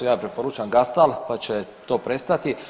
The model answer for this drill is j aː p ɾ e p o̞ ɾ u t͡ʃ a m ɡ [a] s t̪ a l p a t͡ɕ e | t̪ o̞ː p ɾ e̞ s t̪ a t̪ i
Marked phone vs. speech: correct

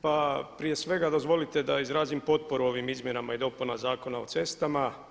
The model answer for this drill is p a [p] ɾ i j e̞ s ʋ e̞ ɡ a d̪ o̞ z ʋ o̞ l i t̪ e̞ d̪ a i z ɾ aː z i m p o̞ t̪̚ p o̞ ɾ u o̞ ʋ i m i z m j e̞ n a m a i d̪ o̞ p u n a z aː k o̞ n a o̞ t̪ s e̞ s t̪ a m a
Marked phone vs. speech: correct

